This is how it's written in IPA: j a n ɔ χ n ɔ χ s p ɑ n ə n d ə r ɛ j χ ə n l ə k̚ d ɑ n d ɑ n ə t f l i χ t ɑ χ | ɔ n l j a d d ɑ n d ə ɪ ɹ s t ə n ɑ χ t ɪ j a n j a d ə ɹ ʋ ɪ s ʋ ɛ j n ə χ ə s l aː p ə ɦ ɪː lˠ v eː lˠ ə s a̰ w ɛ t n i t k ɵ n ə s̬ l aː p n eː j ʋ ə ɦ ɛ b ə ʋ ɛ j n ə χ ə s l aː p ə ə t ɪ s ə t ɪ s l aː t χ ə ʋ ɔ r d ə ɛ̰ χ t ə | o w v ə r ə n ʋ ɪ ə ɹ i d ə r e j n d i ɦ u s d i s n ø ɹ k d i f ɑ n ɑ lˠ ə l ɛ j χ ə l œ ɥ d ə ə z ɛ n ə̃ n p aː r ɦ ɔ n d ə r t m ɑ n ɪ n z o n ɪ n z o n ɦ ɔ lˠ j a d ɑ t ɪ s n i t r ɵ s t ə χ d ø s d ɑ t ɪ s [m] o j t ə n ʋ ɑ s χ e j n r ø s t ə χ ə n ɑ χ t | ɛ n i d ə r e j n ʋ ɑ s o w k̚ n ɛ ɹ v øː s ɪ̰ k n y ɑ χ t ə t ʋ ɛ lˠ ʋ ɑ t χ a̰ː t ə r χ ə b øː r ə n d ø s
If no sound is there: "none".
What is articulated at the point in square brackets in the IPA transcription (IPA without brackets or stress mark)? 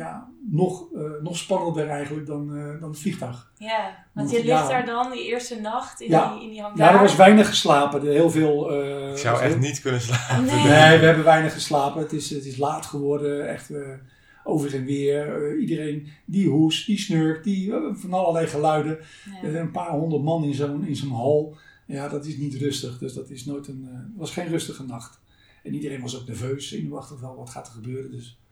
n